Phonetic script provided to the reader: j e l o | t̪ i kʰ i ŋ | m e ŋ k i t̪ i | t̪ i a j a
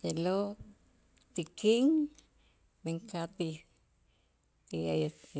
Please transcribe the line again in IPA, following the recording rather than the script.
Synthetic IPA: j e l o | t̪ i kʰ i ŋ | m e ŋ k a t̪ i | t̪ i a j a